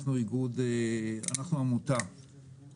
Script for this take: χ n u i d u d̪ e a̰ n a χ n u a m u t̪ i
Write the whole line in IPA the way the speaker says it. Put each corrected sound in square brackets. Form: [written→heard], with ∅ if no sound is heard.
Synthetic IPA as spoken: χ n u i [d→ɡ] u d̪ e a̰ n a χ n u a m u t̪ [i→a]